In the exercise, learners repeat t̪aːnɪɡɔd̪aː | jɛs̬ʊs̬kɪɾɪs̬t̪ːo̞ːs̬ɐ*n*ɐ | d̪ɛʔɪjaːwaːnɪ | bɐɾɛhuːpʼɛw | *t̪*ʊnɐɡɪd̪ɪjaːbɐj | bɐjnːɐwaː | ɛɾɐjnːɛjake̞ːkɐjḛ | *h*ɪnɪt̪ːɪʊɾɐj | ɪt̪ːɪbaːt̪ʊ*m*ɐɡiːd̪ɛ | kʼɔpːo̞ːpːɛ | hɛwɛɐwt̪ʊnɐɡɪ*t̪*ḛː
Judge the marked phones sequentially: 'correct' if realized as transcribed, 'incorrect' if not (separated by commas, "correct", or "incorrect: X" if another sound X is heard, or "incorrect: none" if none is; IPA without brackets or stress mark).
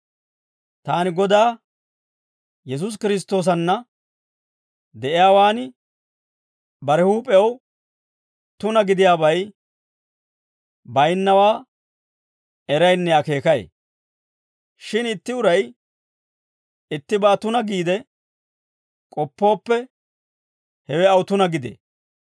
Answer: incorrect: nː, correct, incorrect: ʃ, incorrect: n, incorrect: d̪